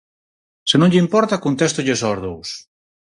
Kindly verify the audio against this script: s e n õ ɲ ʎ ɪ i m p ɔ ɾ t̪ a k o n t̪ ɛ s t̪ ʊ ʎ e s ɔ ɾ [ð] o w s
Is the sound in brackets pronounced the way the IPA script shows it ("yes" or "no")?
yes